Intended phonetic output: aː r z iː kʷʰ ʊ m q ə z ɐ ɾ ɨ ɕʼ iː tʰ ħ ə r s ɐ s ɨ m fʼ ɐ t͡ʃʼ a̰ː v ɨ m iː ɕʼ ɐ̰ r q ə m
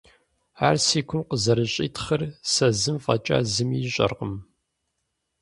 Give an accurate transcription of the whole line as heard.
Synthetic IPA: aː r s iː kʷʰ ʊ m q ə z ɐ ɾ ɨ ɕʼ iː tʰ χ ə r s ɐ z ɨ m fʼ ɐ t͡ʃʼ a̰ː z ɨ m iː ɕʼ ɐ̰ r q ə m